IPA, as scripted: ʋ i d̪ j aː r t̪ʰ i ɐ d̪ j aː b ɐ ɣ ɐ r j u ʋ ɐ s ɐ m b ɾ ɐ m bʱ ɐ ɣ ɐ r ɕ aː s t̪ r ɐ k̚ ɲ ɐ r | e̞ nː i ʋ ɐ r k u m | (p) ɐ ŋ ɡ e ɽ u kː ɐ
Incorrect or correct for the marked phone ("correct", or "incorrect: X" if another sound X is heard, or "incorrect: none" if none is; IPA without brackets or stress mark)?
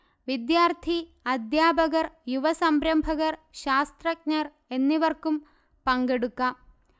correct